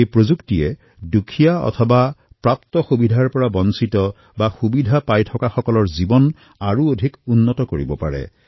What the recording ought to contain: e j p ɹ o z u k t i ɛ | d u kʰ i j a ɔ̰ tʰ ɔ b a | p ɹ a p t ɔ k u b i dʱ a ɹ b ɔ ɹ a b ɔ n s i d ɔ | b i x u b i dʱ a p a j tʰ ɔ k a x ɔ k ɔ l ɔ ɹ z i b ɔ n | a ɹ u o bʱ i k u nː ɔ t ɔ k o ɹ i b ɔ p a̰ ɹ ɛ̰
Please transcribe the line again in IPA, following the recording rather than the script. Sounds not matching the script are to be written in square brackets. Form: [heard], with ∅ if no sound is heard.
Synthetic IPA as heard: e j p ɹ o z u k t i ɛ | d u kʰ i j a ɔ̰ tʰ ɔ b a | p ɹ a p t ɔ [x] u b i dʱ a ɹ [p] ɔ ɹ a b ɔ n s i [t] ɔ | b [a] x u b i dʱ a p a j tʰ ɔ k a x ɔ k ɔ l ɔ ɹ z i b ɔ n | a ɹ u o [dʱ] i k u nː ɔ t ɔ k o ɹ i b ɔ p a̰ ɹ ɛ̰